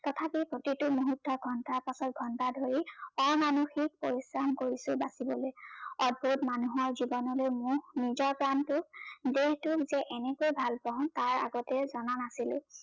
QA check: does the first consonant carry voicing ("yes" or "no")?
no